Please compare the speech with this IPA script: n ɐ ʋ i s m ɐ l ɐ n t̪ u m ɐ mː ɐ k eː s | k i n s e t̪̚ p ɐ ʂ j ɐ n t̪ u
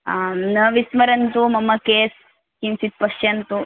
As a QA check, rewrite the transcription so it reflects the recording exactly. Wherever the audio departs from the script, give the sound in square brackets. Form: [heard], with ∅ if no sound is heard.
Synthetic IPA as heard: n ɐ ʋ i s m ɐ [ɾ] ɐ n t̪ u m ɐ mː ɐ k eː s | k i n s [i] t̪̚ p ɐ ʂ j ɐ n t̪ u